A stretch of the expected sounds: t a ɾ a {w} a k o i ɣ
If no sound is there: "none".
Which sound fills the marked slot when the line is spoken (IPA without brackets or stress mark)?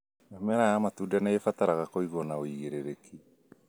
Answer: ɣ